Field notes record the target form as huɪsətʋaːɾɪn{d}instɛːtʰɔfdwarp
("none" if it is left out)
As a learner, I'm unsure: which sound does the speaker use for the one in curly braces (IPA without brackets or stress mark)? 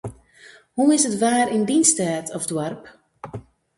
d